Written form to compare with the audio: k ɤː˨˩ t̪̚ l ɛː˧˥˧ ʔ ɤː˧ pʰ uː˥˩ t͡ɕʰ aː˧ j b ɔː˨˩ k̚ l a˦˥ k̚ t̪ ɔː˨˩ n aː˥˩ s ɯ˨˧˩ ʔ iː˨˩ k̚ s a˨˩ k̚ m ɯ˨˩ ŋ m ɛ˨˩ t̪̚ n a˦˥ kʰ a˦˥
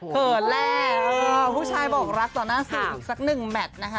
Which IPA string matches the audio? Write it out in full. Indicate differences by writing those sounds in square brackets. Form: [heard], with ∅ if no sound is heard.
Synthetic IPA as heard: k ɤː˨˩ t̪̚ l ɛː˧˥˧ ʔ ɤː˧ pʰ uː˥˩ t͡ɕʰ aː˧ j b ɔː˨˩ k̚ [ɾ] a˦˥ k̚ t̪ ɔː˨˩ n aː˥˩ s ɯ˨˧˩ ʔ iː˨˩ k̚ s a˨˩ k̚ [n] ɯ˨˩ ŋ m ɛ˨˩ t̪̚ n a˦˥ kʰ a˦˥